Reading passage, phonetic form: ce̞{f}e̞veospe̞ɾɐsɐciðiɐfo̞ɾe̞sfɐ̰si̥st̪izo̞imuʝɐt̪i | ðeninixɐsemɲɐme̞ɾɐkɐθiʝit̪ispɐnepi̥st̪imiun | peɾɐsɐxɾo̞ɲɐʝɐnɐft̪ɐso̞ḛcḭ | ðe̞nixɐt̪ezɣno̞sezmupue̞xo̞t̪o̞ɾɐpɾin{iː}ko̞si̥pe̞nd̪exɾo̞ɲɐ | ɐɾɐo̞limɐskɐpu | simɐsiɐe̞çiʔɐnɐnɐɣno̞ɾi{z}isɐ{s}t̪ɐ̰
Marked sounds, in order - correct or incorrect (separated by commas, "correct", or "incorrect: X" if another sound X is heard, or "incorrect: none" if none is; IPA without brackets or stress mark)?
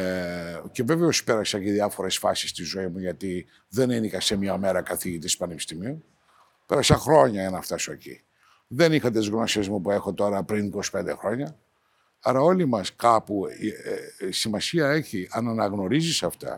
incorrect: v, incorrect: i, correct, incorrect: f